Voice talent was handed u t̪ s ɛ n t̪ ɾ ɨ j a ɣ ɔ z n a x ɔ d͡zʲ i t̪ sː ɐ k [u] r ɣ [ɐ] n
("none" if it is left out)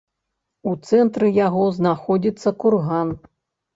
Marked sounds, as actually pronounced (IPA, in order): u, a

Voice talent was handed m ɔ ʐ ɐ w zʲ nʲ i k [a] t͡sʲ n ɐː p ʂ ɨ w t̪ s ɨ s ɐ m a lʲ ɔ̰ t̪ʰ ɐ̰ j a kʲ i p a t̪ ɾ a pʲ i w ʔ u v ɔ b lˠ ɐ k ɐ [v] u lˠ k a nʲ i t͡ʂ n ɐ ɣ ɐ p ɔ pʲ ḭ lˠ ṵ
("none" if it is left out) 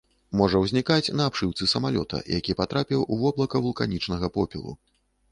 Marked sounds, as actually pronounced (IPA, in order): a, v

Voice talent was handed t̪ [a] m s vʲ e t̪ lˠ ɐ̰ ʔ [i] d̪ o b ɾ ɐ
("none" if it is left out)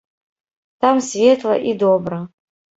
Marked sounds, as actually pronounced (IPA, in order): a, i

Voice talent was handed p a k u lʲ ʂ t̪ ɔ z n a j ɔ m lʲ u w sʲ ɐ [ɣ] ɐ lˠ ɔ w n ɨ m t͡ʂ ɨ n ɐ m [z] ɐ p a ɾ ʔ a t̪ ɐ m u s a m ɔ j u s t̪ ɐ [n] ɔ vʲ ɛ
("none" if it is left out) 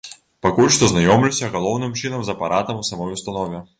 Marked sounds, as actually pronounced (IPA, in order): ɣ, z, n

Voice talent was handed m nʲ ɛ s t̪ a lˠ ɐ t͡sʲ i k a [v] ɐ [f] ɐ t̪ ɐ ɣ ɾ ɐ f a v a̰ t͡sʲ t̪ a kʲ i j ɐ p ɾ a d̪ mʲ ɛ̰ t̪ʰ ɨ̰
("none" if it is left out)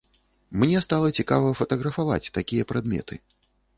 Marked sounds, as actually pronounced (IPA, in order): v, f

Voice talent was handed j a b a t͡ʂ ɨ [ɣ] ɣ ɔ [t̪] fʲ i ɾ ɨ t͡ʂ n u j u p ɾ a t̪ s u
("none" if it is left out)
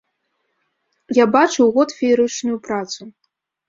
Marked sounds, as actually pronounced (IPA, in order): w, t̪

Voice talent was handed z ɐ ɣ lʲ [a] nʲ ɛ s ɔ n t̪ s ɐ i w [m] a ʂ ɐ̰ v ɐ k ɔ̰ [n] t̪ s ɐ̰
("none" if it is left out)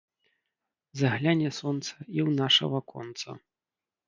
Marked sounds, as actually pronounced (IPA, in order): a, n, n

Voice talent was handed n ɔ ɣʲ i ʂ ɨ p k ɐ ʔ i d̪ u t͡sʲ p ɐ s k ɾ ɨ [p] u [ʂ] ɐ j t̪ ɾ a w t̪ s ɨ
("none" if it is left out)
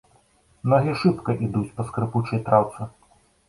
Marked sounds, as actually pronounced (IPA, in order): p, t͡ʂ

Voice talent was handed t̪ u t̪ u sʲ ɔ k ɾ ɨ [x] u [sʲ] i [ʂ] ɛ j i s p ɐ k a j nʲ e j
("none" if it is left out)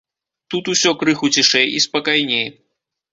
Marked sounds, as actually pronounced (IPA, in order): x, t͡sʲ, ʂ

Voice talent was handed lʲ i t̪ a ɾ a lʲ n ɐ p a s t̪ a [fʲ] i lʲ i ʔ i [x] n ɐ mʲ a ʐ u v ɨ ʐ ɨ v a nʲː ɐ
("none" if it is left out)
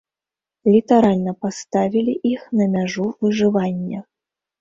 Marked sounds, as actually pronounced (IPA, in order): vʲ, x

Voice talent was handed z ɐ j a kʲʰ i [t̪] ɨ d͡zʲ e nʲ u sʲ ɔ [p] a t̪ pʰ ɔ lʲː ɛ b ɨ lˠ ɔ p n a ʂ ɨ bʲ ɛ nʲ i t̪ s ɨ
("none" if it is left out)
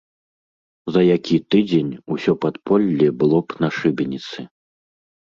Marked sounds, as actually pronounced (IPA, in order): t̪, p

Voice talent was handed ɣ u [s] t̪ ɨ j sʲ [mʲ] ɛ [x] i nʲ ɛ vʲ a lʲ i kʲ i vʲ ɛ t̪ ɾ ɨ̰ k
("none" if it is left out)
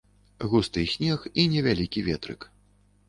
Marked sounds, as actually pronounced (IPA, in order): s, nʲ, x

